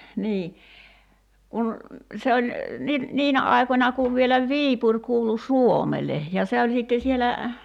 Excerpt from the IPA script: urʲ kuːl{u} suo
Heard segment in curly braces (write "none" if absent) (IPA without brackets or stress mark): u